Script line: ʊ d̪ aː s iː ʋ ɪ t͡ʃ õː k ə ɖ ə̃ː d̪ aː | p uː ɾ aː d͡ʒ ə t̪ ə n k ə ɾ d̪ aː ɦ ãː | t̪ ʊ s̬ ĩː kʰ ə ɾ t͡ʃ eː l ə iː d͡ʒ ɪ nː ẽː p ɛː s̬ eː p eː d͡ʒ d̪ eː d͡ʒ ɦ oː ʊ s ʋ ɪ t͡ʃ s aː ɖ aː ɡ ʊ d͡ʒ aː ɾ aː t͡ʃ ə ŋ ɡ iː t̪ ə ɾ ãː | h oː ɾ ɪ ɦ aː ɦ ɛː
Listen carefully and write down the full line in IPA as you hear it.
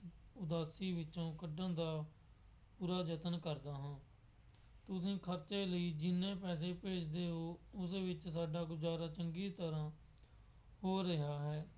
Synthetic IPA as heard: ʊ d̪ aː s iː ʋ ɪ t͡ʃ õː k ə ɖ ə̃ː d̪ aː | p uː ɾ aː d͡ʒ ə t̪ ə n k ə ɾ d̪ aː ɦ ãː | t̪ ʊ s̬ ĩː kʰ ə ɾ t͡ʃ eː l ə iː d͡ʒ ɪ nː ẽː p ɛː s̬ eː p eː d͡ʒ d̪ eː ɦ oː ʊ s ʋ ɪ t͡ʃ s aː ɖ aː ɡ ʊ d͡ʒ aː ɾ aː t͡ʃ ə ŋ ɡ iː t̪ ə ɾ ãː | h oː ɾ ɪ ɦ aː ɦ ɛː

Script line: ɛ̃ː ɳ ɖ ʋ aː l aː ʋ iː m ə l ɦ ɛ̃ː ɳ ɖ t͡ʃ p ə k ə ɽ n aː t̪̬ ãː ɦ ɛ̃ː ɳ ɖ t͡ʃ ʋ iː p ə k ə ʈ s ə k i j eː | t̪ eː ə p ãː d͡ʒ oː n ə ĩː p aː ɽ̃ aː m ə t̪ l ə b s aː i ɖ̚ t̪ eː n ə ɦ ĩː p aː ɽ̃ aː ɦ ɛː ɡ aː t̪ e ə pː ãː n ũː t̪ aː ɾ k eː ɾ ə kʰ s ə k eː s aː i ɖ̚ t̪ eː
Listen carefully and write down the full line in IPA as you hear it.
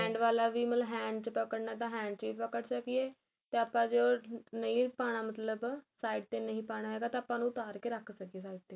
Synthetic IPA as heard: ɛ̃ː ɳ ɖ ʋ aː l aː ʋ iː m ə l ɦ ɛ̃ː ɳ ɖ t͡ʃ p ə k ə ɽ n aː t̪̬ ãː ɦ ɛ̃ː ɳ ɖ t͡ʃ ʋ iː p ə k ə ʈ s ə k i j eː | t̪ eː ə p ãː d͡ʒ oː n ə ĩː p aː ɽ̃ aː m ə t̪ l ə b s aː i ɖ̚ t̪ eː n ə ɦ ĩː p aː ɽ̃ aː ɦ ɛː ɡ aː t̪ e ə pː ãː n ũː t̪ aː ɾ k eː ɾ ə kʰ s ə k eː s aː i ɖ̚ t̪ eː

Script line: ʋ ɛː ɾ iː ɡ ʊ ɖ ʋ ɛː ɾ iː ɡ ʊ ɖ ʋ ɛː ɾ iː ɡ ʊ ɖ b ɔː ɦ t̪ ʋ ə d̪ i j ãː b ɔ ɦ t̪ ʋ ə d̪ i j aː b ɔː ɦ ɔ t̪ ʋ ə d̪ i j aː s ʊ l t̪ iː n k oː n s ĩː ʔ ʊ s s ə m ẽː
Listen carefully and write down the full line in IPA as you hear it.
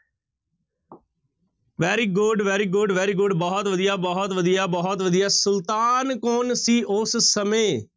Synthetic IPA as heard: ʋ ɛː ɾ iː ɡ ʊ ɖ ʋ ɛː ɾ iː ɡ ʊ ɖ ʋ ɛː ɾ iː ɡ ʊ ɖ b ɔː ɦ t̪ ʋ ə d̪ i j aː b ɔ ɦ t̪ ʋ ə d̪ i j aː b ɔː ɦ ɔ t̪ ʋ ə d̪ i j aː s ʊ l t̪ aː n k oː n s iː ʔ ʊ s s ə m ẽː

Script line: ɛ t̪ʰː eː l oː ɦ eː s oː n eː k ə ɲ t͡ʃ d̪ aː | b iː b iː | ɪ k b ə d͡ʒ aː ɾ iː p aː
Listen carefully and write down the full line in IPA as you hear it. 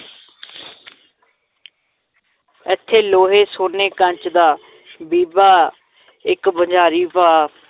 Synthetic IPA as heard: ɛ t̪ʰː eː l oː ɦ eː s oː n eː k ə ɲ t͡ʃ d̪ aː | b iː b aː | ɪ k b ə d͡ʒ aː ɾ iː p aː

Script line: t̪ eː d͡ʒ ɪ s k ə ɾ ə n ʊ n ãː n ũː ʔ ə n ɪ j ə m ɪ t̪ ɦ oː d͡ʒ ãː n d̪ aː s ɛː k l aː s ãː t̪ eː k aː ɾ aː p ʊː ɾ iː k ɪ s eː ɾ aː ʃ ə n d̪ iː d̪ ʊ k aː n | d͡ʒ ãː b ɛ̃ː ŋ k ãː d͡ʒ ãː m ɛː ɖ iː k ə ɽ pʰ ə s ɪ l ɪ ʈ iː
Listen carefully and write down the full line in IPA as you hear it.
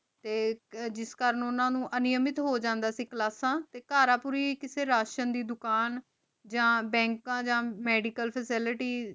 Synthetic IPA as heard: t̪ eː d͡ʒ ɪ s k ə ɾ ə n ʊ n ãː n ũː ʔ ə n ɪ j ə m ɪ t̪ ɦ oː d͡ʒ ãː n d̪ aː s iː k l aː s ãː t̪ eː k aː ɾ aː p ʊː ɾ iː k ɪ s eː ɾ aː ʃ ə n d̪ iː d̪ ʊ k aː n | d͡ʒ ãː b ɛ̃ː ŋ k ãː d͡ʒ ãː m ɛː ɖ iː k ə l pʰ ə s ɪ l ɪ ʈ iː

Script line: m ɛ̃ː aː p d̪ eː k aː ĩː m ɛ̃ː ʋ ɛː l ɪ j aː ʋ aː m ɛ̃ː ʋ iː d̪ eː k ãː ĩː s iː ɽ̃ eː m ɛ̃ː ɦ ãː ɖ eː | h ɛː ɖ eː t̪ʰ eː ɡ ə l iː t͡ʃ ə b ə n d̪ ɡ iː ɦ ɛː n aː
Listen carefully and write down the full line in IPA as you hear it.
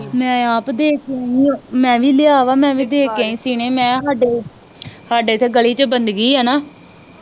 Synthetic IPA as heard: m ɛ̃ː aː p d̪ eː k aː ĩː m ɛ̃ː ʋ iː l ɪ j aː ʋ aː m ɛ̃ː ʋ iː d̪ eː k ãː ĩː s iː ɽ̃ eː m ɛ̃ː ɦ aː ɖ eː | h aː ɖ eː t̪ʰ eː ɡ ə l iː t͡ʃ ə b ə n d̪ ɡ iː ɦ ɛː n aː

